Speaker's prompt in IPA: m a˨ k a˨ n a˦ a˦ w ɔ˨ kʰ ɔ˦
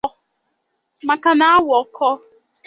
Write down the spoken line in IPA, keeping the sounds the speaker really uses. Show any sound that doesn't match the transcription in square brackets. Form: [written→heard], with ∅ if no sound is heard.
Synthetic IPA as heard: m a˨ k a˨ n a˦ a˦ w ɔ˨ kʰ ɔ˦